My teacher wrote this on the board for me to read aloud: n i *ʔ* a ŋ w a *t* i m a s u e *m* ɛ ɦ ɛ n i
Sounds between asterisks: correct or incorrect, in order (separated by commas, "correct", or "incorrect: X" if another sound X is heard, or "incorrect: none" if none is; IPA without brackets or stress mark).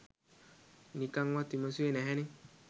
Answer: incorrect: k, correct, incorrect: n